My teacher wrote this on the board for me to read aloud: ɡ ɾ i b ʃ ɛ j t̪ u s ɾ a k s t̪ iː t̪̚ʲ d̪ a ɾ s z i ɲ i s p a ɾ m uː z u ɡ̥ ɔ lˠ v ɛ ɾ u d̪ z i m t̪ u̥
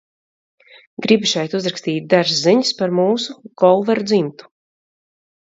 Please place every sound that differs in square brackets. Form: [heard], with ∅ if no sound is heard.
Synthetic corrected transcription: ɡ ɾ i b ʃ ɛ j t̪ u [z] ɾ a k s t̪ iː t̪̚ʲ d̪ a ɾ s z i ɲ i s p a ɾ m uː [s] u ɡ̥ ɔ lˠ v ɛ ɾ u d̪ z i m t̪ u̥